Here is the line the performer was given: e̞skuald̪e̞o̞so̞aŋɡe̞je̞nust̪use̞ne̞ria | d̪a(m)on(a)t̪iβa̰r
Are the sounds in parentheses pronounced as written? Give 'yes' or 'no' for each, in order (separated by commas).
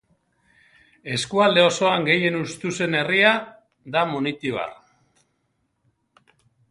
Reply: yes, no